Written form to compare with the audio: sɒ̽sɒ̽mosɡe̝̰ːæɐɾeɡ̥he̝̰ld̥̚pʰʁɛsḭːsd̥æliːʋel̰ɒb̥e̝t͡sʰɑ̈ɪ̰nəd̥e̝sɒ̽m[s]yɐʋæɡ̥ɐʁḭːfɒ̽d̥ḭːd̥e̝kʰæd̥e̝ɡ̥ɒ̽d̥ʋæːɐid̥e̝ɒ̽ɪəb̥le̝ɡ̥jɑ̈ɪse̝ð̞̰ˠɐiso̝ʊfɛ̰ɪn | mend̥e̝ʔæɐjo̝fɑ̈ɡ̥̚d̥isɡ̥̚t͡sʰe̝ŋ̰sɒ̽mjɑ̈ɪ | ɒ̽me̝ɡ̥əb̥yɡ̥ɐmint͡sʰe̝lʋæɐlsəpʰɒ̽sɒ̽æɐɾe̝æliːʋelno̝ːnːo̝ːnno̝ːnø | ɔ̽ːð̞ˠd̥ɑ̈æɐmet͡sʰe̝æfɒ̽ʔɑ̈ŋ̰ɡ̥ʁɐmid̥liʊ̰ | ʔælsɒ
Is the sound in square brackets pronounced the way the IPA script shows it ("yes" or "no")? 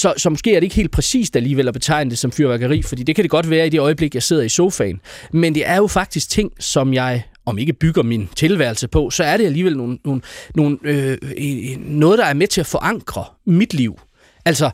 no